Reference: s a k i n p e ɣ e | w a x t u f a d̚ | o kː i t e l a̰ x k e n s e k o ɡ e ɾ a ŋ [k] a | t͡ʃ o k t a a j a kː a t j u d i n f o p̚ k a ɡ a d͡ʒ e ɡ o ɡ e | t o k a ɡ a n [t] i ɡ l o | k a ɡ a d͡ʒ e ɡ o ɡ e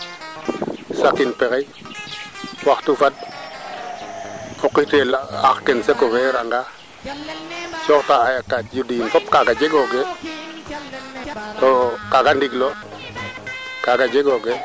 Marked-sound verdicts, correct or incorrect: incorrect: ɡ, incorrect: d

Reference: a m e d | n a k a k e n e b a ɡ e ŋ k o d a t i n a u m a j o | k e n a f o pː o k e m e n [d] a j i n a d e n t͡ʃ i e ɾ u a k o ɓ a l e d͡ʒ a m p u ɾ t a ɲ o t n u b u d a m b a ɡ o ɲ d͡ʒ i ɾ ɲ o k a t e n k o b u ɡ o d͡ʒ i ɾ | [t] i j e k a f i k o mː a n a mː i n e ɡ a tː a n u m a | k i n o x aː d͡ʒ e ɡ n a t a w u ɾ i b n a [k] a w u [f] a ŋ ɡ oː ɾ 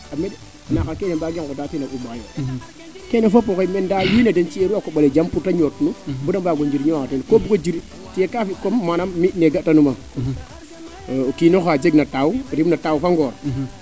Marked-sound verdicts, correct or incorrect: correct, correct, incorrect: t, correct

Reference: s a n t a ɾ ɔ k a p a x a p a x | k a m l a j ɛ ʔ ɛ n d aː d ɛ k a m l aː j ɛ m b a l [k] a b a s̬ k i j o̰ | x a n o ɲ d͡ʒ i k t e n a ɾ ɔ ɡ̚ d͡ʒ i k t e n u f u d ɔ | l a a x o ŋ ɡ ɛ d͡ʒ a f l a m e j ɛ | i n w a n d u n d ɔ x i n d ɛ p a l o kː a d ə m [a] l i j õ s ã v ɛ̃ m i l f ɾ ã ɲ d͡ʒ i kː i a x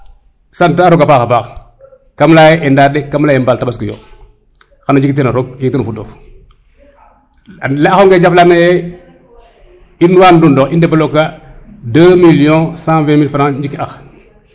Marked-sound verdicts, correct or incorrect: incorrect: t, incorrect: i

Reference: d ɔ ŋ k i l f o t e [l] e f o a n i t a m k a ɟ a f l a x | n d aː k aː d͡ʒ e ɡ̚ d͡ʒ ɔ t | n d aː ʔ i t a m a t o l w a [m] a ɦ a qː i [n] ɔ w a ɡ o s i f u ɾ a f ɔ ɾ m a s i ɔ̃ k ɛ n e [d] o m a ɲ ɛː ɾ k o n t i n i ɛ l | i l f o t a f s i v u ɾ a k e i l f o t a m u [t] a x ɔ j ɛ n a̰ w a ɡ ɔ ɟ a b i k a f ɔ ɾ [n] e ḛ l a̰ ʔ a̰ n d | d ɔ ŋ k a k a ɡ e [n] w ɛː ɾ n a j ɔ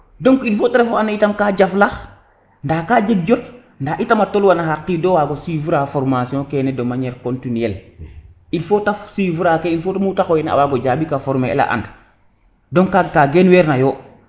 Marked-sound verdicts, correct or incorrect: incorrect: ɾ, incorrect: n, incorrect: d, correct, correct, incorrect: m, correct

